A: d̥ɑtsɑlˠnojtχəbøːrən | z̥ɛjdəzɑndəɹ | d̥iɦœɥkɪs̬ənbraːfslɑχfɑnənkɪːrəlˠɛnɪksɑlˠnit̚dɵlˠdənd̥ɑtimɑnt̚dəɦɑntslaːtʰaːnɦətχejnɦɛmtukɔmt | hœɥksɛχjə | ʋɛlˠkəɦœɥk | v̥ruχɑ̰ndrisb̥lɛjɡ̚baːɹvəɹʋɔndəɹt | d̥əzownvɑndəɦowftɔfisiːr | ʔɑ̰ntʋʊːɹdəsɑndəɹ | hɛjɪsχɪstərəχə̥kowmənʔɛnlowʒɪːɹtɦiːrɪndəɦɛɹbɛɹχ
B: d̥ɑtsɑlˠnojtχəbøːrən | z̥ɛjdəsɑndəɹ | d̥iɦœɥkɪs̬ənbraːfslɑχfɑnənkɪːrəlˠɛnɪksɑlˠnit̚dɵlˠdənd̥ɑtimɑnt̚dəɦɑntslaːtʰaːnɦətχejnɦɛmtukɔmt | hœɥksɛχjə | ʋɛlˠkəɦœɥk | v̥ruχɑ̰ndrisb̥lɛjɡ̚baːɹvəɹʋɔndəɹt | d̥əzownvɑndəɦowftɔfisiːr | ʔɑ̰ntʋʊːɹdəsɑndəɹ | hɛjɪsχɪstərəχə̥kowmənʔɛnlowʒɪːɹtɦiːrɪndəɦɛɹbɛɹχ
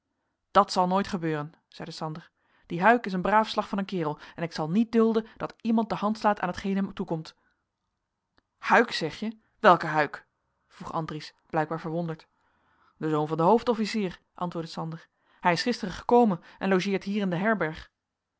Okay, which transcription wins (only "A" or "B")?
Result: B